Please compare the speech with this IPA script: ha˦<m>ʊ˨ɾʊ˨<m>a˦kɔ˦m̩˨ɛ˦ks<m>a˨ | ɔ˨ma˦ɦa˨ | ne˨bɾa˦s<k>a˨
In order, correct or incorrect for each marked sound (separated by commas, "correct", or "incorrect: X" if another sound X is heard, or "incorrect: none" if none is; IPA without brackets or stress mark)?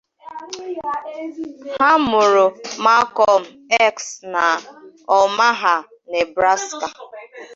correct, correct, incorrect: n, correct